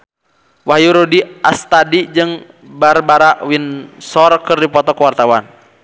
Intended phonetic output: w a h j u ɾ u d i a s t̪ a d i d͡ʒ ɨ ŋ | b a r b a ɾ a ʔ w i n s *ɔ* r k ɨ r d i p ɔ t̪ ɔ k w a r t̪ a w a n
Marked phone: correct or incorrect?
correct